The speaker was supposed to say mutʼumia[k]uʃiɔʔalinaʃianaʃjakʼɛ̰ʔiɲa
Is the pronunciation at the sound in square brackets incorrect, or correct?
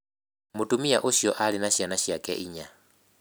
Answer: incorrect